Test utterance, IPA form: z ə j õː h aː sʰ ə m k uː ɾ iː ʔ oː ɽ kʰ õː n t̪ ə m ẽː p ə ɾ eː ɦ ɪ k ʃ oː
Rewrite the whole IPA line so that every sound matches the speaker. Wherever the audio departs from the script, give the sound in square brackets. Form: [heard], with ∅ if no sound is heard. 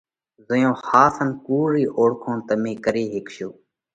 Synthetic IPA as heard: z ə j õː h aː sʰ ə [n] k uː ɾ iː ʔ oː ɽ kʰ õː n t̪ ə m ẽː [k] ə ɾ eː ɦ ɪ k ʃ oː